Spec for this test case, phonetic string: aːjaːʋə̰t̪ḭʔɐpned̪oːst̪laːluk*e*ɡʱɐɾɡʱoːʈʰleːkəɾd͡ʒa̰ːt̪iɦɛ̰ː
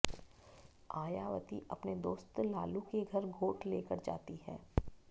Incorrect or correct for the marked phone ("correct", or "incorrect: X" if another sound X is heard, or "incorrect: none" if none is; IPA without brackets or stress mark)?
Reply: correct